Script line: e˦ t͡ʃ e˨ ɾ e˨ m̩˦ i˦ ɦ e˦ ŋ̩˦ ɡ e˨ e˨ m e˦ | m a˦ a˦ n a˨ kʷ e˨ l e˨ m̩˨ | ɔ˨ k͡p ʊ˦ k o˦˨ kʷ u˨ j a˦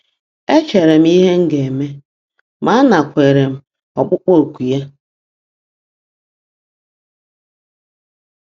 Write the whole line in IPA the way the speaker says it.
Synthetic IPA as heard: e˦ t͡ʃ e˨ ɾ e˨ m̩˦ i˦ ɦ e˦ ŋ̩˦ ɡ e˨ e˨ m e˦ | m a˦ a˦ n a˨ kʷ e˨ ɾ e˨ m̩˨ | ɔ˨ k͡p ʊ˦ k͡p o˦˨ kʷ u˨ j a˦